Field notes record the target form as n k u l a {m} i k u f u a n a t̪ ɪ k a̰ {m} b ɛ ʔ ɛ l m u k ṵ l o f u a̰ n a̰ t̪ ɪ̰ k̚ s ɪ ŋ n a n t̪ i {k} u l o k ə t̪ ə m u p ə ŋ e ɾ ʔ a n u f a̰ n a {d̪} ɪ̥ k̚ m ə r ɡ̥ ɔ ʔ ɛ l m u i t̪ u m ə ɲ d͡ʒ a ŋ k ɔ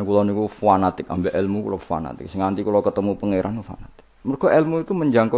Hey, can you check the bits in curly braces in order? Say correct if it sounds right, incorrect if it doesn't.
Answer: incorrect: n, correct, correct, incorrect: t̪

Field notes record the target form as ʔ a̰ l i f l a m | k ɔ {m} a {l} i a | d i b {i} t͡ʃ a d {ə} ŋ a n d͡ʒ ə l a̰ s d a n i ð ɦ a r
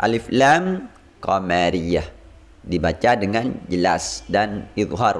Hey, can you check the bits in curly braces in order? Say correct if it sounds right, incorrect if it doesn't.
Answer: correct, incorrect: ɾ, incorrect: a, correct

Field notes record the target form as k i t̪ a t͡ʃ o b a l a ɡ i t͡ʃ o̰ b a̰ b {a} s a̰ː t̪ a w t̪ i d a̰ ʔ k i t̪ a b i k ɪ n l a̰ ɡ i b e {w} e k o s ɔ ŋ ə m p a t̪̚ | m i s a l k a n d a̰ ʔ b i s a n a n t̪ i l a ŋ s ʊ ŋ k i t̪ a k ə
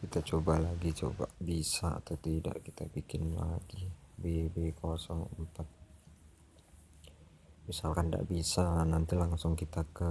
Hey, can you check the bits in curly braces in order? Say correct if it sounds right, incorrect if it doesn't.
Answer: incorrect: i, incorrect: b

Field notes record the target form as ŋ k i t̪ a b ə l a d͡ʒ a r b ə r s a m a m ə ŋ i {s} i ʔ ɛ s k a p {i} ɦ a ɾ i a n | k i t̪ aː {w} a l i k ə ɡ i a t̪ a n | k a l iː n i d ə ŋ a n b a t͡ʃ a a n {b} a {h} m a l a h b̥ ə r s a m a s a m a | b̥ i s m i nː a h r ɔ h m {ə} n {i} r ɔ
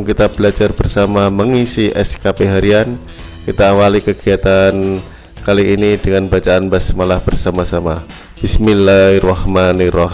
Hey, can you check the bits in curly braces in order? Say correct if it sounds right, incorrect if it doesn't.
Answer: correct, incorrect: e, correct, correct, incorrect: s, incorrect: a, correct

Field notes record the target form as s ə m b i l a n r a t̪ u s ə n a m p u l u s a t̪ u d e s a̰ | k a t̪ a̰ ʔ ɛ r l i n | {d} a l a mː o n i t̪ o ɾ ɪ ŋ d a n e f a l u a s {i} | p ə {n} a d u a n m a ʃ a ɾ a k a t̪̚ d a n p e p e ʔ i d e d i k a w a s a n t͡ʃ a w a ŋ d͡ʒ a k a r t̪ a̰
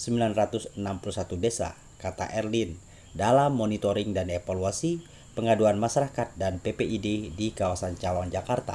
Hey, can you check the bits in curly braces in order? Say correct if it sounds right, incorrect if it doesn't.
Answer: correct, correct, incorrect: ŋ

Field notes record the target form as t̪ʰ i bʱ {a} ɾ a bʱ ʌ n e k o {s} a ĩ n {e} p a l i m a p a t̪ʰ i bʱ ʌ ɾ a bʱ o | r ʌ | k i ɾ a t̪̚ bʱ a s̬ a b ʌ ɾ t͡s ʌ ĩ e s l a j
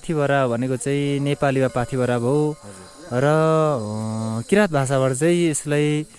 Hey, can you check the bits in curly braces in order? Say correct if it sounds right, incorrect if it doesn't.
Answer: incorrect: ʌ, incorrect: t͡s, correct

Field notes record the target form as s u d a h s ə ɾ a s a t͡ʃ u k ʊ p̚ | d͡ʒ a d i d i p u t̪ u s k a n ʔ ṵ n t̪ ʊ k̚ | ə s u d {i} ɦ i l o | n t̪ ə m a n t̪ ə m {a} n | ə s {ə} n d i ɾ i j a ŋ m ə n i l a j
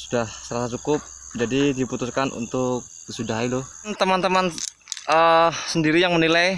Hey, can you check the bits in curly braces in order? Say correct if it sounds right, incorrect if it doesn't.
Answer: incorrect: a, correct, correct

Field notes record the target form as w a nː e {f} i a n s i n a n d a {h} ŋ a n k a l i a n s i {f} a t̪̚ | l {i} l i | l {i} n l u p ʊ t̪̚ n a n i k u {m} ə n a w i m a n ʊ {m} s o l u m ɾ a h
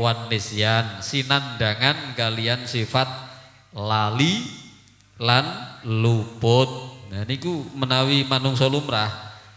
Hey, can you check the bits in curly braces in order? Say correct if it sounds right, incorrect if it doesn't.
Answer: incorrect: s, incorrect: none, correct, incorrect: a, incorrect: a, correct, incorrect: ŋ

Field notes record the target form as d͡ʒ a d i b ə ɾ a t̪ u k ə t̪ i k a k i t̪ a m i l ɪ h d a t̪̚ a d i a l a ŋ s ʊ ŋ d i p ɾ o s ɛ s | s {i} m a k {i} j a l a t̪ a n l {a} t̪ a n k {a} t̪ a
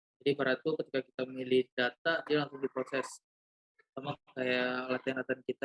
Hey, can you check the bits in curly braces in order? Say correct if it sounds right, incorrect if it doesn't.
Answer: incorrect: a, incorrect: a, correct, incorrect: i

